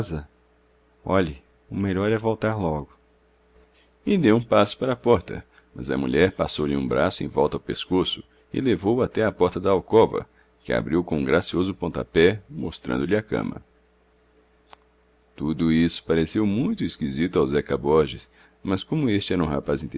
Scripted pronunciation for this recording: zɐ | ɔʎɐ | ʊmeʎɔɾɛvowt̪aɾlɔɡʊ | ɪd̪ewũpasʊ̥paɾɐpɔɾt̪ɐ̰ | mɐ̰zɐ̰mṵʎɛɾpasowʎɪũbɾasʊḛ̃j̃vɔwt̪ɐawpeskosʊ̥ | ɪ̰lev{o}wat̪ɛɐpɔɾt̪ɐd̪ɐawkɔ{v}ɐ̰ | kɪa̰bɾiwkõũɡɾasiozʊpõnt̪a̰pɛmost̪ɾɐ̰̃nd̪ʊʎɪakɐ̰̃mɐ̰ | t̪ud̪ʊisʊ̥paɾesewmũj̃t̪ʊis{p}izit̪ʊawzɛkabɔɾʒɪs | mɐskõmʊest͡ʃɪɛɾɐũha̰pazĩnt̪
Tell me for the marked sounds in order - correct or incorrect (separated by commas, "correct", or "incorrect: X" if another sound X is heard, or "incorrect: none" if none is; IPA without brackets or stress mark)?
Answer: correct, correct, incorrect: k